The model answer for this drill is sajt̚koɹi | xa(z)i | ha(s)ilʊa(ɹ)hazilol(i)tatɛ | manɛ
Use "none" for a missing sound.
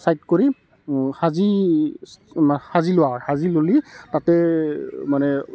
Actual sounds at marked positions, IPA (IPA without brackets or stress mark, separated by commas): z, z, ɹ, i